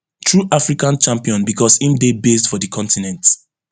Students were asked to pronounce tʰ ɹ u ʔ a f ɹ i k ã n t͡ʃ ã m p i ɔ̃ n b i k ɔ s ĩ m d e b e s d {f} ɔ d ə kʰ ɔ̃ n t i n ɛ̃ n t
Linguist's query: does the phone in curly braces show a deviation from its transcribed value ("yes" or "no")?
no